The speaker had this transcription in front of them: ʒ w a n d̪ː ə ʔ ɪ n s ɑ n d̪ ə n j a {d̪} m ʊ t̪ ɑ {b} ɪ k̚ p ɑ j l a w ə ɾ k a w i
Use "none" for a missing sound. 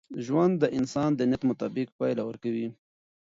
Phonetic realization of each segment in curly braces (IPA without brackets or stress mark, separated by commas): t̪, b